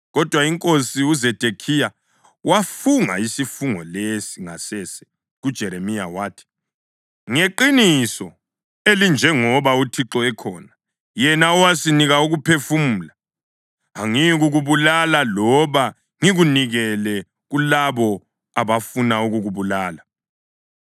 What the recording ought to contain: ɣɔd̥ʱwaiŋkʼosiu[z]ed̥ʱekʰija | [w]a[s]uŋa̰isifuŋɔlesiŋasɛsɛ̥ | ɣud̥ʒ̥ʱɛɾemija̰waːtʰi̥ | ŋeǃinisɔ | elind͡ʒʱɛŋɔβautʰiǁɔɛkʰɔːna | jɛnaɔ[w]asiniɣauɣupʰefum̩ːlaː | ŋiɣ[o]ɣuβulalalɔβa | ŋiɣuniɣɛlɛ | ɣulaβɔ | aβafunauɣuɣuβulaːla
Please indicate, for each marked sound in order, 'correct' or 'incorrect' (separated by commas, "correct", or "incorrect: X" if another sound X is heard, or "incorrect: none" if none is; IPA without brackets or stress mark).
correct, correct, incorrect: f, correct, incorrect: u